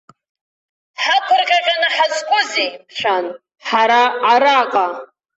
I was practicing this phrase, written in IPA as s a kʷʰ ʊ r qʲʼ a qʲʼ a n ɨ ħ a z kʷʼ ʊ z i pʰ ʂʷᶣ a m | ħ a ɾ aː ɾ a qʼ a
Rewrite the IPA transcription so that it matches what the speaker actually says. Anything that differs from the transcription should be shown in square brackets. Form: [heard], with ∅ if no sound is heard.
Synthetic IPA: [ħ] a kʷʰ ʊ r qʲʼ a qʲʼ a n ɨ ħ a z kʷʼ ʊ z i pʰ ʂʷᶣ a [n] | ħ a ɾ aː ɾ a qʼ a

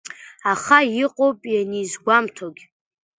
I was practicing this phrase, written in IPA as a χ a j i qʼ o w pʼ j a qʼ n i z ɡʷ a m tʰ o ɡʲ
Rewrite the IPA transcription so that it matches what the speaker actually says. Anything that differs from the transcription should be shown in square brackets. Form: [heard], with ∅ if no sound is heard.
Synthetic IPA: a χ a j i qʼ o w pʼ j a [∅] n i z ɡʷ a m tʰ o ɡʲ

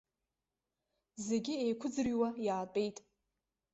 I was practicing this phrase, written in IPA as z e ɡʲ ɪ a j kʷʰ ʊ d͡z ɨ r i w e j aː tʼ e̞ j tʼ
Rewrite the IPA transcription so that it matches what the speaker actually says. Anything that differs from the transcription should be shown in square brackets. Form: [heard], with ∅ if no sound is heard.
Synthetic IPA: z e ɡʲ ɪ [e] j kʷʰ ʊ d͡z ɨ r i w [a] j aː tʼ e̞ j tʼ

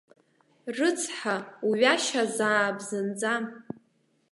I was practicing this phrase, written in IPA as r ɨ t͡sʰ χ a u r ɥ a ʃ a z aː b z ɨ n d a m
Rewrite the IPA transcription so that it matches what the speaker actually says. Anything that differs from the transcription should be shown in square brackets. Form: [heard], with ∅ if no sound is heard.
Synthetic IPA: r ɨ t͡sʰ [ħ] a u [∅] ɥ a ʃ a z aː b z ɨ n [d͡z] a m

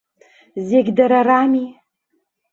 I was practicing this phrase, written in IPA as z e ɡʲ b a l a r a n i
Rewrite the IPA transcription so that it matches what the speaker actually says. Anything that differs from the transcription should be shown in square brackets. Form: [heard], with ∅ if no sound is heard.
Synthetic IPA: z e ɡʲ [d] a [ɾ] a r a [m] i

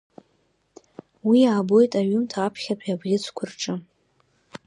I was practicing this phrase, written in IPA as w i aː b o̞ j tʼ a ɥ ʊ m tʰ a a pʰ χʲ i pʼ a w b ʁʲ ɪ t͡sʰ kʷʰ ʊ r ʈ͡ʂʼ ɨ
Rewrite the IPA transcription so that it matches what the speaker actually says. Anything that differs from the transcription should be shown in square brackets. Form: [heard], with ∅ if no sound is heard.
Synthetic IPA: w i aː b o̞ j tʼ a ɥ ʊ m tʰ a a pʰ χʲ [a] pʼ a [∅] b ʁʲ ɪ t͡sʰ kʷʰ ʊ r ʈ͡ʂʼ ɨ

